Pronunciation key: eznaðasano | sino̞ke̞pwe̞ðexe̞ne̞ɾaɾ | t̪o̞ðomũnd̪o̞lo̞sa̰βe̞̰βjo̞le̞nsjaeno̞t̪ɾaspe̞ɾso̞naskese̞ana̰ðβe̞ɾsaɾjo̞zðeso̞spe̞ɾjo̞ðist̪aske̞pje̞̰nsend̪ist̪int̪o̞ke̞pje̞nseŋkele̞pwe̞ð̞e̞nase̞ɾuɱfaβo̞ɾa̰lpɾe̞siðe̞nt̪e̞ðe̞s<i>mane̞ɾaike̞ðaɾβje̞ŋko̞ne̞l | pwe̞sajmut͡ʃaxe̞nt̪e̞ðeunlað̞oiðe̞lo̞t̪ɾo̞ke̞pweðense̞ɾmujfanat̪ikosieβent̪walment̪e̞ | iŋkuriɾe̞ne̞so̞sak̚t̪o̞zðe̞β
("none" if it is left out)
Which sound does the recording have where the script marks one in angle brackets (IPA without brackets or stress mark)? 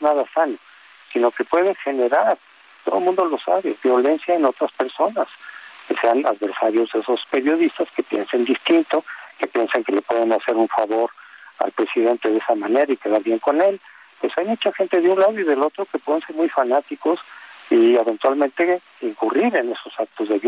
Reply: a